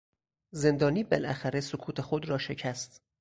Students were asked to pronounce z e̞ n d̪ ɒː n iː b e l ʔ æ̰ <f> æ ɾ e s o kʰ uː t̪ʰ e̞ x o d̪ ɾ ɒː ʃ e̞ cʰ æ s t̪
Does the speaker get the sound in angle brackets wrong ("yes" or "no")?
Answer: yes